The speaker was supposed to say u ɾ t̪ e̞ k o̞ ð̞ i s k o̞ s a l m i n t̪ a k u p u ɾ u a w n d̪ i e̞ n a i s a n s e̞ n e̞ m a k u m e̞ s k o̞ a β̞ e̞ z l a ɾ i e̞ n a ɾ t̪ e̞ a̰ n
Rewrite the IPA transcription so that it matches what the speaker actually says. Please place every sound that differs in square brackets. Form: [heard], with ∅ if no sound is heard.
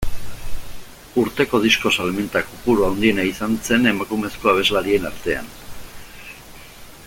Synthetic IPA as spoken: u ɾ t̪ e̞ k o̞ ð̞ i s k o̞ s a l m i n t̪ a k u p u ɾ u a w n d̪ i e̞ n a i s a n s e̞ n e̞ m a k u m e̞ s k o̞ a β̞ e̞ z l a ɾ i e̞ n a ɾ t̪ e̞ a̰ n